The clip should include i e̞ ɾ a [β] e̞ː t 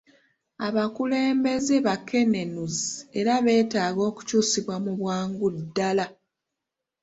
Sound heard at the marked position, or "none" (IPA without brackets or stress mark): β